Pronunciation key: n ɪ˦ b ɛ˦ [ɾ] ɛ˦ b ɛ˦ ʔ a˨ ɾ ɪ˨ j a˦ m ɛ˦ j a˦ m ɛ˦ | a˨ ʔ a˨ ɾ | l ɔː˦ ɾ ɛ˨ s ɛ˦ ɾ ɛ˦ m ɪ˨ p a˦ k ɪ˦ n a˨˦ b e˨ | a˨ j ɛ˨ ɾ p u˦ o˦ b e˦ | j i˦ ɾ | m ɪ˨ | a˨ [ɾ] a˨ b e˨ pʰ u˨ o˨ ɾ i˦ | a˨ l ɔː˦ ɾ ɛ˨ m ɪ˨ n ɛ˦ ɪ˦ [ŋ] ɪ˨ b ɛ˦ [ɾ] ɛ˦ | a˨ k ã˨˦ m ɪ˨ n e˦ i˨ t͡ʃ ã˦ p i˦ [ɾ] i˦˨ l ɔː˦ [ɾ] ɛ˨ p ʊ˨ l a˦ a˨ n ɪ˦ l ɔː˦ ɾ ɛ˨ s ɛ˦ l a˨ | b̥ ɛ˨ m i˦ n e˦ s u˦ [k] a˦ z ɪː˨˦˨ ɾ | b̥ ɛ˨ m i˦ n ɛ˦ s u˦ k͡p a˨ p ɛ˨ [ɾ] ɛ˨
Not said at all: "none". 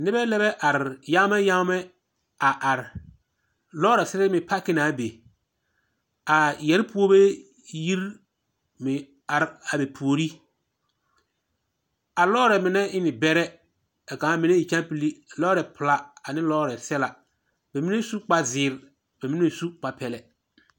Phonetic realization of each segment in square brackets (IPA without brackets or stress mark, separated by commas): l, ɾ, n, ɾ, l, ɾ, k͡p, l